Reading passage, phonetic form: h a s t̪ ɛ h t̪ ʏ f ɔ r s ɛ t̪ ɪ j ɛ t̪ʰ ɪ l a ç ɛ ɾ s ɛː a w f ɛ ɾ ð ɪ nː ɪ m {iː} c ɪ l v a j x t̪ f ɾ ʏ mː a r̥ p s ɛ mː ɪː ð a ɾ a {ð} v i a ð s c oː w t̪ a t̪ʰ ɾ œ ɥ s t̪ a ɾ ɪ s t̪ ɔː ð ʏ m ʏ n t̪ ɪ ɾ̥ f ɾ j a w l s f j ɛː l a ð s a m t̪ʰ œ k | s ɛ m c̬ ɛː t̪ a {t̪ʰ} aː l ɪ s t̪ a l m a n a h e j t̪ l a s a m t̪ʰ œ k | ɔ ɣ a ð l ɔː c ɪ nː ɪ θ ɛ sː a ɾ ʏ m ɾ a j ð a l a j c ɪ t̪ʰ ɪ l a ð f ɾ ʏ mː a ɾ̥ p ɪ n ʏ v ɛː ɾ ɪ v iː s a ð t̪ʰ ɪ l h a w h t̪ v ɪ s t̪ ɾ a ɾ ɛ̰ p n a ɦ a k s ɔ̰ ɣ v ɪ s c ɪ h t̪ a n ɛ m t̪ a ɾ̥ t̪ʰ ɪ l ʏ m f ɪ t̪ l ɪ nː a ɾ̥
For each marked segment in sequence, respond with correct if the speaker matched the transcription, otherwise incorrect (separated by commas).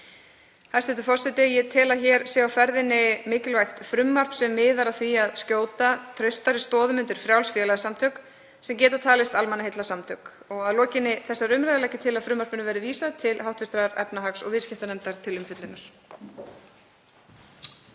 incorrect, incorrect, correct